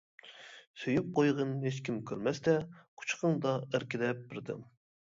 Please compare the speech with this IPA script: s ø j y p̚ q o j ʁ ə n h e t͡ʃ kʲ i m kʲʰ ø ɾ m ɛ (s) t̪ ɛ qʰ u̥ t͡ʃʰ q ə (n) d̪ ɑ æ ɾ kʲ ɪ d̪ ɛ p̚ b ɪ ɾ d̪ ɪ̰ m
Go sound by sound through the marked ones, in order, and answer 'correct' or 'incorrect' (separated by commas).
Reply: correct, incorrect